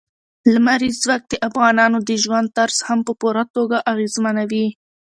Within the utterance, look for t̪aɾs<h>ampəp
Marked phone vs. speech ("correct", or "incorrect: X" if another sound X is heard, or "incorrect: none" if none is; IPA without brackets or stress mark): correct